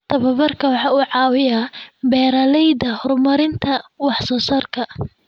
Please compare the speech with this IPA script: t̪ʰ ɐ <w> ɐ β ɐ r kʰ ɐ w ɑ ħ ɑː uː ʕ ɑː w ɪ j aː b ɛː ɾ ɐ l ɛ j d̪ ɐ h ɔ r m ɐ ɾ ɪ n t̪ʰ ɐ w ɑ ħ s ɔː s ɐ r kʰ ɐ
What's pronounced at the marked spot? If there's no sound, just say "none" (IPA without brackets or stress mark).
β